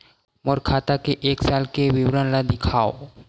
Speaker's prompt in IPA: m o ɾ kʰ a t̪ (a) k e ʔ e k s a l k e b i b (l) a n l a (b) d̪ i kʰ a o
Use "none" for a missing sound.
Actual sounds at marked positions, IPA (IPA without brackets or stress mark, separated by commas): a, ɾ, none